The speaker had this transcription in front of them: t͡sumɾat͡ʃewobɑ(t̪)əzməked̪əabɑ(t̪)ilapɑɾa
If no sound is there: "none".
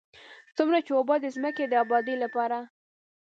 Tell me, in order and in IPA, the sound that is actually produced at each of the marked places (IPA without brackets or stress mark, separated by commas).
d̪, d̪